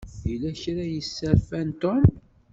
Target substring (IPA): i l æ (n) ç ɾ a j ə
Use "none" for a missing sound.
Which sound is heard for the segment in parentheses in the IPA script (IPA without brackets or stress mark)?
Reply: none